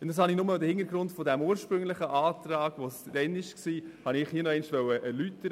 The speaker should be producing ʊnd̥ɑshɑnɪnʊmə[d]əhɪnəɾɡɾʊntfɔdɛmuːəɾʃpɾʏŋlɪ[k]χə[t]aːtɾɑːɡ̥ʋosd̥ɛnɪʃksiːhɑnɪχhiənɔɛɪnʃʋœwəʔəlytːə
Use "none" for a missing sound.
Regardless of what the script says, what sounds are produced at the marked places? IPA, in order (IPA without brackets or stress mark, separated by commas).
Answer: d, none, ʔ